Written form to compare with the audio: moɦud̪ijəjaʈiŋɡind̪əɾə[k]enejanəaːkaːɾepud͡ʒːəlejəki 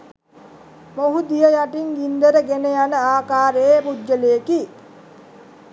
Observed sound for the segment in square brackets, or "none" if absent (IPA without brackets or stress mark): ɡ